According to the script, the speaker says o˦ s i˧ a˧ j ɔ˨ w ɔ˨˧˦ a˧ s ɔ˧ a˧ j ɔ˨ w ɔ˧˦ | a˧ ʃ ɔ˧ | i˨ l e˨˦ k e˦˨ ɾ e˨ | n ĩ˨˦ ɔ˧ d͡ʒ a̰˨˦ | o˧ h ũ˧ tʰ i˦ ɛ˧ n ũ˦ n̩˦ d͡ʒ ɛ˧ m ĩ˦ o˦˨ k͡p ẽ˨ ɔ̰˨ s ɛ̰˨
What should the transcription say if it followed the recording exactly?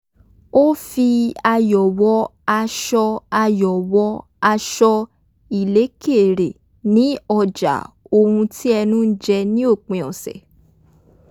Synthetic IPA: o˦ f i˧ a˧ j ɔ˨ w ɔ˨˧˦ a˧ ʃ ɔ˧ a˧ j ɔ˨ w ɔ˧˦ | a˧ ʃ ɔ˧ | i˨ l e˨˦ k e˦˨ ɾ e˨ | n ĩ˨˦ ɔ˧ d͡ʒ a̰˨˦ | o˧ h ũ˧ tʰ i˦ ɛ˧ n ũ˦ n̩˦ d͡ʒ ɛ˧ n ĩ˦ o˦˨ k͡p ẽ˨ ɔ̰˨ s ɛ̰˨

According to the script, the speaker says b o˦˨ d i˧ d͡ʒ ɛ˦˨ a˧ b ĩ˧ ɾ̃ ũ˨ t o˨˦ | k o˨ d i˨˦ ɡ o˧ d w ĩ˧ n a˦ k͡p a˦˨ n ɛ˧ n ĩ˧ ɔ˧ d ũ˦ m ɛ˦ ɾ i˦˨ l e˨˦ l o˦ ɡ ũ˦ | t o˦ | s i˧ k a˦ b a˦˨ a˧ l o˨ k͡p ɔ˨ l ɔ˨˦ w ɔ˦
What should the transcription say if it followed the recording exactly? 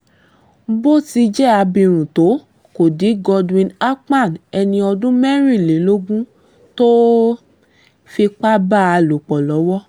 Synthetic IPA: b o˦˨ t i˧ d͡ʒ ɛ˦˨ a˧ b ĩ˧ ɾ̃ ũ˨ t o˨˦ | k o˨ d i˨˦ ɡ ɔ˧ d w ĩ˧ n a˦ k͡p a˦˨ n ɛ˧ n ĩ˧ ɔ˧ d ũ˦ m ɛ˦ ɾ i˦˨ l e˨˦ l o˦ ɡ ũ˦ | t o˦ | f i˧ k͡p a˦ b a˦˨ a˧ l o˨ k͡p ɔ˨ l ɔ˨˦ w ɔ˦

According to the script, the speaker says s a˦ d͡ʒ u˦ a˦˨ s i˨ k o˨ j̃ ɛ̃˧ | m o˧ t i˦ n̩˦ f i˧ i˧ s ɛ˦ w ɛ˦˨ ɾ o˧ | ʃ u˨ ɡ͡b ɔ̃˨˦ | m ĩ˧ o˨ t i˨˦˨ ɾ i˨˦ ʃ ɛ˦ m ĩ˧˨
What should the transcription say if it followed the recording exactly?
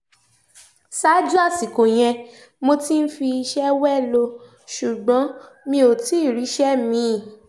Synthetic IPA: s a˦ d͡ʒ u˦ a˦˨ s i˨ k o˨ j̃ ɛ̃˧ | m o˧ t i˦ n̩˦ f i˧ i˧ ʃ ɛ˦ w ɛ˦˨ l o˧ | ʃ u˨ ɡ͡b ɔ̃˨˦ | m ĩ˧ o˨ t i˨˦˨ ɾ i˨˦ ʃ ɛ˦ m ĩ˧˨

